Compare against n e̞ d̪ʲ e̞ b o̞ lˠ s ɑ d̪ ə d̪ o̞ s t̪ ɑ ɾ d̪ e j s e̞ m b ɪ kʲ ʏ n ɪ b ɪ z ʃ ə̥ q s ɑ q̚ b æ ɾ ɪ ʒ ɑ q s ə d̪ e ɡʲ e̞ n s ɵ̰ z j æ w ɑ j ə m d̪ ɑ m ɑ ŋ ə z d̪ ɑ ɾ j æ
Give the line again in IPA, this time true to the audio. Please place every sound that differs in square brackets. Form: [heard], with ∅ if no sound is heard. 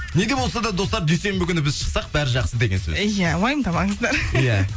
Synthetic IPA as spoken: n e̞ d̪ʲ e̞ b o̞ lˠ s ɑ d̪ [ɑ] d̪ o̞ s t̪ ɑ ɾ d̪ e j s e̞ m b ɪ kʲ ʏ n ɪ b ɪ z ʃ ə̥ q s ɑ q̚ b æ ɾ ɪ ʒ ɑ q s ə d̪ e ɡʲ e̞ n s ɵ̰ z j æ w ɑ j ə m d̪ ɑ m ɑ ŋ ə z d̪ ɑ ɾ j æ